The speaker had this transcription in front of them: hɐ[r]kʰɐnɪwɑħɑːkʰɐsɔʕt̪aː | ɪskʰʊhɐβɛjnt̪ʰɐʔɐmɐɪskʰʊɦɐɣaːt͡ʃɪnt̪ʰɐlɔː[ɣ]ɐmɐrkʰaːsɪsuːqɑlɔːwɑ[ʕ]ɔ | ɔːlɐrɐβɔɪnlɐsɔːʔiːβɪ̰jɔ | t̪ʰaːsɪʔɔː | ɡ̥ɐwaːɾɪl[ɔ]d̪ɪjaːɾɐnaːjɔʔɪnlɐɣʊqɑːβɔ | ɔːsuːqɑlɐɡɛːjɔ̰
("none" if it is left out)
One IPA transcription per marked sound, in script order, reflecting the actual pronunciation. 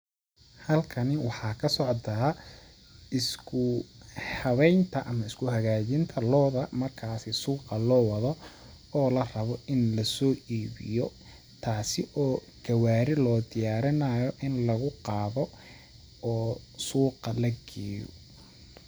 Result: l, ð, ð, ɔː

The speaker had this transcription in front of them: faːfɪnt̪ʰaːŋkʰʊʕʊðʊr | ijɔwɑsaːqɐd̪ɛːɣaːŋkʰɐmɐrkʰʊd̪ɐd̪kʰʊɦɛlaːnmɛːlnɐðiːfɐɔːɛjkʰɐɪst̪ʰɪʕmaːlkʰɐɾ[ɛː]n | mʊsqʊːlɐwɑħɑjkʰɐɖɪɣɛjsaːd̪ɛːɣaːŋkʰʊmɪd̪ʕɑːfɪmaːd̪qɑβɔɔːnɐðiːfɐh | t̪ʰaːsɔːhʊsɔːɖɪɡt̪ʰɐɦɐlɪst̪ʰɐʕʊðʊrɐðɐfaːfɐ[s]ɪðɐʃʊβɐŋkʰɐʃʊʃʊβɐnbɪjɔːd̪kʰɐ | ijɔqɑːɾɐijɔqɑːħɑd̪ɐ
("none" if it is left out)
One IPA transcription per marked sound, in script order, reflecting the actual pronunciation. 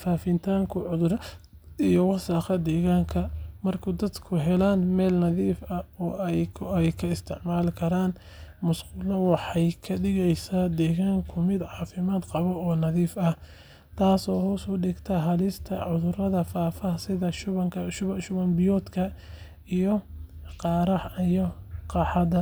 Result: aː, s

